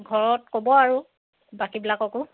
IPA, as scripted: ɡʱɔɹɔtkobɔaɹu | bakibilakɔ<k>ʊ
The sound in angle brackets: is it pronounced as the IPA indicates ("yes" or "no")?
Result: yes